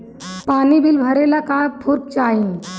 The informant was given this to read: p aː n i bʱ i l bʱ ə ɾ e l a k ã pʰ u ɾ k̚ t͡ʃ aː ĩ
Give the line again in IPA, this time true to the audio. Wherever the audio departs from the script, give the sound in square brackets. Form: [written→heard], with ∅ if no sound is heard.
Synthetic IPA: p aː n i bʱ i l bʱ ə ɾ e l a k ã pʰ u ɾ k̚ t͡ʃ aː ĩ